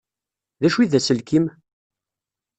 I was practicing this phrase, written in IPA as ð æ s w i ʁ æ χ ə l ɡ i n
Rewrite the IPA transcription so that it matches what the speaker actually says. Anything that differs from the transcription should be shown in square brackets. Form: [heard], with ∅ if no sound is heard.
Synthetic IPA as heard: ð æ [ʃ] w i [ð] æ [s] ə l [k] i [m]